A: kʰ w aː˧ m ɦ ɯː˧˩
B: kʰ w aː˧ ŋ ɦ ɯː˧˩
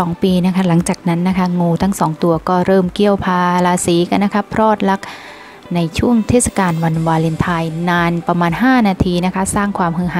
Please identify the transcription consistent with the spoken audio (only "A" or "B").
A